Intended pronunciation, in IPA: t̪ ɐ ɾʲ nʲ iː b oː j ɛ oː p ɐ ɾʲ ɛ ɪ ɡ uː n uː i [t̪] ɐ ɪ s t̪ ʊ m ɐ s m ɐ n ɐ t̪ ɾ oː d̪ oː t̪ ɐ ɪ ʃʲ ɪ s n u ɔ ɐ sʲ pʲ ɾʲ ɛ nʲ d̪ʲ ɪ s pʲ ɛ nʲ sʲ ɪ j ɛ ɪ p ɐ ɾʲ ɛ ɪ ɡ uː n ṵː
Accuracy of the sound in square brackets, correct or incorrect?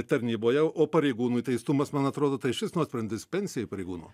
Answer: correct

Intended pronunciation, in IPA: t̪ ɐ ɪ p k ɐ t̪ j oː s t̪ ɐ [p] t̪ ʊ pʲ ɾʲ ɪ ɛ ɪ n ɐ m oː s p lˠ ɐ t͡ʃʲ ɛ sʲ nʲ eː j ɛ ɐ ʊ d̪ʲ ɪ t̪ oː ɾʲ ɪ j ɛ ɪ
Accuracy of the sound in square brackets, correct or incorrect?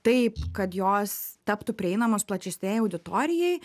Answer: correct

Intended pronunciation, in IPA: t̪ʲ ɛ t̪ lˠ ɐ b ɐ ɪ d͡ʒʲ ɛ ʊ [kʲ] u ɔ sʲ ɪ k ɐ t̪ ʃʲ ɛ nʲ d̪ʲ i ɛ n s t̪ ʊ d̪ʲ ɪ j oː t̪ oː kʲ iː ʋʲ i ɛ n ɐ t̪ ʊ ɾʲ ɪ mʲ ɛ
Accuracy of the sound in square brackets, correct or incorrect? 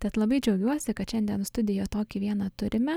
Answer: incorrect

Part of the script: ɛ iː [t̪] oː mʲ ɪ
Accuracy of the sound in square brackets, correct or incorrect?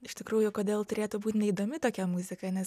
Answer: incorrect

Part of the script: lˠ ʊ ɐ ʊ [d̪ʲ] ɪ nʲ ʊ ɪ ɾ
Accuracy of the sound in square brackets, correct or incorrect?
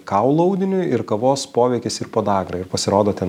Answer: correct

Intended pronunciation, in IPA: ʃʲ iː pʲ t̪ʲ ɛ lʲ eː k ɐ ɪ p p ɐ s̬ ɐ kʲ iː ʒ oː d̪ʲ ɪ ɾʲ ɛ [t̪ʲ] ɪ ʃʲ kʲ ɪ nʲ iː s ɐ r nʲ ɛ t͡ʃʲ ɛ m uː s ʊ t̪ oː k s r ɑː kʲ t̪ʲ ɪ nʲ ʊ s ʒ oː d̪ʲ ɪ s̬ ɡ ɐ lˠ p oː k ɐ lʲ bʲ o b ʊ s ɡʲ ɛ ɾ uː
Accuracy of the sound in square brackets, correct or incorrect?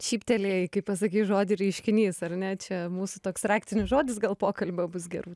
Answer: incorrect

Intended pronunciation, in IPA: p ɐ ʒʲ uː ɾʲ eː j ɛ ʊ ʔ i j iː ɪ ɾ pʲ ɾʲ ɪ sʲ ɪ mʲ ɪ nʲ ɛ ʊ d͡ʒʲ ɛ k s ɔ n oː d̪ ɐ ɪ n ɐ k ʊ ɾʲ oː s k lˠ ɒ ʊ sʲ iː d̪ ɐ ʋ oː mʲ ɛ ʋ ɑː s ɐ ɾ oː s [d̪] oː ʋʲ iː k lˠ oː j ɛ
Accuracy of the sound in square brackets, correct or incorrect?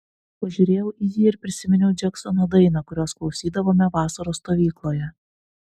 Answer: incorrect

